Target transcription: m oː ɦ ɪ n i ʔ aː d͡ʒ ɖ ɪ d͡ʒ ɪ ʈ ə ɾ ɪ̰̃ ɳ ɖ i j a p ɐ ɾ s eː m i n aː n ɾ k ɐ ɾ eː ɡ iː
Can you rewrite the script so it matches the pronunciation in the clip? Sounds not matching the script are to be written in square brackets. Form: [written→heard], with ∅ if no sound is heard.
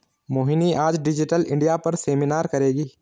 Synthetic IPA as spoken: m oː ɦ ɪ n i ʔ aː d͡ʒ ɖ ɪ d͡ʒ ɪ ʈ ə [ɾ→l] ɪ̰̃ ɳ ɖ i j a p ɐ ɾ s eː m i n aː [n→∅] ɾ k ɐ ɾ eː ɡ iː